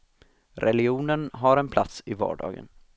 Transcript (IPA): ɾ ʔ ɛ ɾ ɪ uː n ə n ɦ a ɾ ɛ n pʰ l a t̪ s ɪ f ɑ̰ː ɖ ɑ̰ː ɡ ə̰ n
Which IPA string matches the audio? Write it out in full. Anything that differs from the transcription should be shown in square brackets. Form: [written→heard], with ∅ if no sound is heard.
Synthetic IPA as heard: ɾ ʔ ɛ [ɾ→l] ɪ uː n ə n ɦ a ɾ ɛ n pʰ l a t̪ s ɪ [f→v] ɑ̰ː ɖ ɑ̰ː ɡ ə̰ n